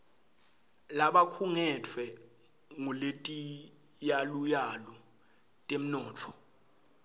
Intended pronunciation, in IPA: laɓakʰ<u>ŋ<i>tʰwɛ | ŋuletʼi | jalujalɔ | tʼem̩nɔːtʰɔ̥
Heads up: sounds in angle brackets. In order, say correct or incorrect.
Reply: correct, incorrect

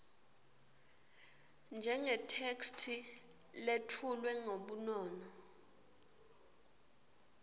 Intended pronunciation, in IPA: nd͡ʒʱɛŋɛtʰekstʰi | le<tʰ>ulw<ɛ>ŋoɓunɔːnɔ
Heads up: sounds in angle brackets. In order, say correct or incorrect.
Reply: correct, correct

